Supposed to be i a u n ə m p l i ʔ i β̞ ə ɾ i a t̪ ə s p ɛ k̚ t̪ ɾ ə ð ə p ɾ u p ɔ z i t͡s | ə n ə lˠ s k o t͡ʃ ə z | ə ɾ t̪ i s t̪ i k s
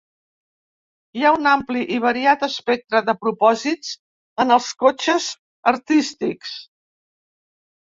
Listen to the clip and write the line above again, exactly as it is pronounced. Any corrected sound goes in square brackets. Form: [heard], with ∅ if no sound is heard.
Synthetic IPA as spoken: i a u n [a] m p l i ʔ i β̞ ə ɾ i a t̪ ə s p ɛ k̚ t̪ ɾ ə ð ə p ɾ u p ɔ z i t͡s | ə n ə lˠ s k o t͡ʃ ə z | ə ɾ t̪ i s t̪ i k s